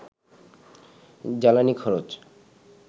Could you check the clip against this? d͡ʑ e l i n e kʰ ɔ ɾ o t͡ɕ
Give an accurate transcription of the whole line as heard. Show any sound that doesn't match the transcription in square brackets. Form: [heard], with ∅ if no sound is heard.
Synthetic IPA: d͡ʑ [a] l [a] n [i] kʰ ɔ ɾ o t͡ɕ